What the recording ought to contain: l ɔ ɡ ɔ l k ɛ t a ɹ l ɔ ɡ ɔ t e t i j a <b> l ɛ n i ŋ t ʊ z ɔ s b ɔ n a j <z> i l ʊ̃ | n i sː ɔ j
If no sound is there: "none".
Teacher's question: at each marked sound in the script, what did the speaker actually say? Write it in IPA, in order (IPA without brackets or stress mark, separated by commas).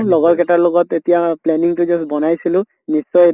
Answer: p, s